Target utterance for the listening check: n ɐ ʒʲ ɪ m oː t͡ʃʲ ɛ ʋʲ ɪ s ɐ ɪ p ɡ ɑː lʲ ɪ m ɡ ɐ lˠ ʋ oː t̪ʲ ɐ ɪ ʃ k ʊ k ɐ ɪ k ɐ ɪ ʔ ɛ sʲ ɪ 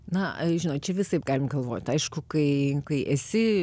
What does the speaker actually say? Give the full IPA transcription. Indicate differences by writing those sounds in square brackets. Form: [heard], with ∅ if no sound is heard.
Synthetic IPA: n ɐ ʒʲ ɪ [n] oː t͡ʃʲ ɛ ʋʲ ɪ s ɐ ɪ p ɡ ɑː lʲ ɪ m ɡ ɐ lˠ ʋ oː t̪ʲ ɐ ɪ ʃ k ʊ k ɐ ɪ k ɐ ɪ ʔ ɛ sʲ ɪ